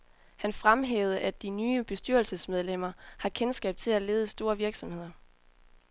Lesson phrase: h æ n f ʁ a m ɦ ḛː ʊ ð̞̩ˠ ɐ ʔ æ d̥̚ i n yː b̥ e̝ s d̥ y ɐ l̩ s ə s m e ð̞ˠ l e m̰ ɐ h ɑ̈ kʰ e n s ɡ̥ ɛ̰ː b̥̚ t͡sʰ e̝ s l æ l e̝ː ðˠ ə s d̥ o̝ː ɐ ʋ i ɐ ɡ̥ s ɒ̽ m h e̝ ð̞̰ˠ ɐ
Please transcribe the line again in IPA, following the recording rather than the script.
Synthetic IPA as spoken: h æ n f ʁ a m ɦ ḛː ʊ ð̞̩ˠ ə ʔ æ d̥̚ i n yː b̥ e̝ s d̥ y ɐ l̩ s ə s m e ð̞ˠ l e m̰ ɐ h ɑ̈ kʰ e n s ɡ̥ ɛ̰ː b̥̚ t͡sʰ e̝ l æ l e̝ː ðˠ ə s d̥ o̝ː ɐ ʋ i ɐ ɡ̥ s ɒ̽ m h e̝ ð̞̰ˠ ɐ